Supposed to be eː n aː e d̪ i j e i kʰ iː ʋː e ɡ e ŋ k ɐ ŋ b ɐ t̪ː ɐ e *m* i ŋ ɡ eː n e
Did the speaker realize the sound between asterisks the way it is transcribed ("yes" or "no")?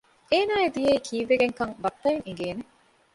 no